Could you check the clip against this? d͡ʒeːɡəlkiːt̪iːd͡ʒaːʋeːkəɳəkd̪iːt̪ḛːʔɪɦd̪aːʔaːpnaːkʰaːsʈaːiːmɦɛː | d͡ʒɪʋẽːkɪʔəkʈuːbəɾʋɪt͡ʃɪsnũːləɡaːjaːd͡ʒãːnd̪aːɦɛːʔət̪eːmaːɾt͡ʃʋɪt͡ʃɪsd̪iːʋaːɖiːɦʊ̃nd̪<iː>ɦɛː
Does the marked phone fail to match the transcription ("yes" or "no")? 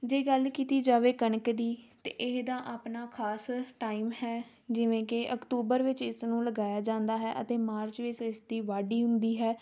no